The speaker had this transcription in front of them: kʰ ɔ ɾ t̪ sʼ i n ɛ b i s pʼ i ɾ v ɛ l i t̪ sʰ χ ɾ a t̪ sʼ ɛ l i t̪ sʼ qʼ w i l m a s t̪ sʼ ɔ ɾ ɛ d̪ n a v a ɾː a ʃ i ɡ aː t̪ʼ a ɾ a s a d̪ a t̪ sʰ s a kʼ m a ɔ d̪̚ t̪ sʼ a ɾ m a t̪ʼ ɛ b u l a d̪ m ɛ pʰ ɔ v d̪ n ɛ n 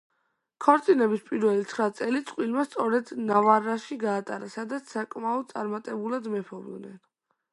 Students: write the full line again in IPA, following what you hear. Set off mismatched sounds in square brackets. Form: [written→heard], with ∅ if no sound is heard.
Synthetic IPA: kʰ ɔ ɾ t̪ sʼ i n ɛ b i s pʼ i ɾ v ɛ l i t̪ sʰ χ ɾ a t̪ sʼ ɛ l i t̪ sʼ qʼ w i l m a s t̪ sʼ ɔ ɾ ɛ d̪ n a v a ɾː a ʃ i ɡ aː t̪ʼ a ɾ a s a d̪ a t̪ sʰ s a kʼ m a ɔ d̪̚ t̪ sʼ a ɾ m a t̪ʼ ɛ b u l a d̪ m ɛ pʰ ɔ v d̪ n ɛ n